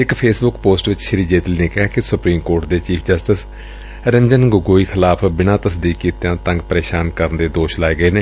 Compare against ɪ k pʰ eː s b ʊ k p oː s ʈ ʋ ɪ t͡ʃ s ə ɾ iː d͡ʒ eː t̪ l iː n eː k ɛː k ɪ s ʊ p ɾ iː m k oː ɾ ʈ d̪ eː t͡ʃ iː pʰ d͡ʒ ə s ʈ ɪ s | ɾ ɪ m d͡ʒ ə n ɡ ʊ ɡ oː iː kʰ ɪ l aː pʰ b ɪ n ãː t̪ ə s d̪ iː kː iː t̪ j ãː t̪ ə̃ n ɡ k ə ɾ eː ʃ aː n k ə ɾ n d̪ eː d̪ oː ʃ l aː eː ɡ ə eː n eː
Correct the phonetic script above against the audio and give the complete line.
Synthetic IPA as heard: ɪ k pʰ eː s b ʊ k p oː s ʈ ʋ ɪ t͡ʃ ʃ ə ɾ iː d͡ʒ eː t̪ l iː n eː k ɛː k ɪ s ʊ p ɾ iː m k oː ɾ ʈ d̪ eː t͡ʃ iː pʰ d͡ʒ ə s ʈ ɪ s | ɾ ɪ m d͡ʒ ə n ɡ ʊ ɡ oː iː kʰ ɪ l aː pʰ b ɪ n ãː t̪ ə s d̪ iː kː iː t̪ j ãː t̪ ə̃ ŋ ɡ p ə ɾ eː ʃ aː n k ə ɾ n d̪ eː d̪ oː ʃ l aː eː ɡ ə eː n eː